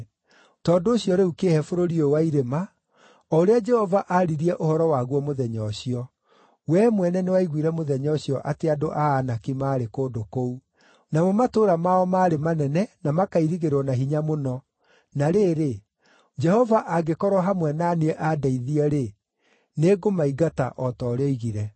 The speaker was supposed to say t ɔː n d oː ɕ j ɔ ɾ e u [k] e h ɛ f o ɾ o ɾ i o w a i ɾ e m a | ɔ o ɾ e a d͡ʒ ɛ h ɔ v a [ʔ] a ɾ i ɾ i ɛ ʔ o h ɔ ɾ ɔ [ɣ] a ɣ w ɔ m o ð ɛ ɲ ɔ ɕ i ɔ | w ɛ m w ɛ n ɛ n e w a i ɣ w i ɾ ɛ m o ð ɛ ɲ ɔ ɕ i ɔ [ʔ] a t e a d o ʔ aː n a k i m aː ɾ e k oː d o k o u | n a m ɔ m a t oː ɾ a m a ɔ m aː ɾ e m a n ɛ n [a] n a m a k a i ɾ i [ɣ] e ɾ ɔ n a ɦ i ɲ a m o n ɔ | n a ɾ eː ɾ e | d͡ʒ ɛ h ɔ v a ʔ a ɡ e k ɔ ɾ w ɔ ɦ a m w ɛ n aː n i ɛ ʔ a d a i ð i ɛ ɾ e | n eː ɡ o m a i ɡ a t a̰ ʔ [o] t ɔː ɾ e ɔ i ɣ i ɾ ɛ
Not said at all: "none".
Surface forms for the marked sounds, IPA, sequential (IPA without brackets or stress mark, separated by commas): k, ʔ, w, ʔ, ɛ, ɣ, ɔ